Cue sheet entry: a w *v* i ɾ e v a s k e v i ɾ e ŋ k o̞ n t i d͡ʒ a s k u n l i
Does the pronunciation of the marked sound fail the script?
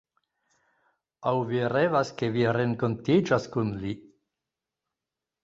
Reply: no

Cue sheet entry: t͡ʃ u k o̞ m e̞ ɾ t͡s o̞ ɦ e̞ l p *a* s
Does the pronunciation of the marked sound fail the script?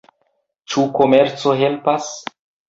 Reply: no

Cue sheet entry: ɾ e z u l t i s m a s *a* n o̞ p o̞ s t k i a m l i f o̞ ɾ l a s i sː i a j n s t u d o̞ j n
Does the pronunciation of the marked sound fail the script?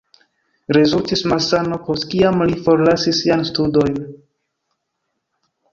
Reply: no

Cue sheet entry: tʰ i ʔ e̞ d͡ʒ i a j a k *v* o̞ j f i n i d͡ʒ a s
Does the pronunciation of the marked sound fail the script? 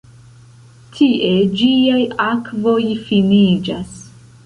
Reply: no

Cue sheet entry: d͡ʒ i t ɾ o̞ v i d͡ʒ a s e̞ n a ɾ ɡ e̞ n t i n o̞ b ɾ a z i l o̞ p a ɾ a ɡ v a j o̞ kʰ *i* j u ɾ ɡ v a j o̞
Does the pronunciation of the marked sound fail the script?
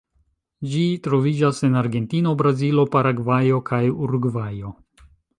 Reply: yes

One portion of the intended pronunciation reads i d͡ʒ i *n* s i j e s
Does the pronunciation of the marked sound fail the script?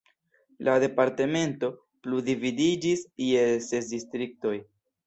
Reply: yes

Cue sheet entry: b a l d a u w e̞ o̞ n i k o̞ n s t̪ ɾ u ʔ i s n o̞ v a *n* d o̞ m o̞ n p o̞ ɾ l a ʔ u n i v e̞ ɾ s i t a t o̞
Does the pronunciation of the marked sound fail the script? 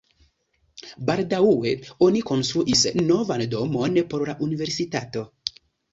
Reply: no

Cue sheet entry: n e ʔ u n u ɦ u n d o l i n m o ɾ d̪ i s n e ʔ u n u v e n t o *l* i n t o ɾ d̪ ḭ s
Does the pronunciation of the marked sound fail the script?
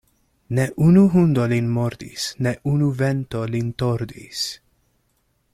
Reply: no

